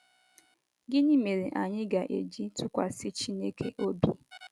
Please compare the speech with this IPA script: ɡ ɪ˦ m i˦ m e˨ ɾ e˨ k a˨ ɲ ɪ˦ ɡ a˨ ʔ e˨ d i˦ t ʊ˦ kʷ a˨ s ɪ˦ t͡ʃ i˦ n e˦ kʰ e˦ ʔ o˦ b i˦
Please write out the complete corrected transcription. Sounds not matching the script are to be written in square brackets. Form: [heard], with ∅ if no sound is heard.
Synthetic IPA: ɡ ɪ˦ [n] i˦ m e˨ ɾ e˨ [ʔ] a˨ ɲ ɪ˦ ɡ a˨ ʔ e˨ [d͡ʒ] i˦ t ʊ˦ kʷ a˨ s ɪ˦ t͡ʃ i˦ n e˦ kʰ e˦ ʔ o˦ b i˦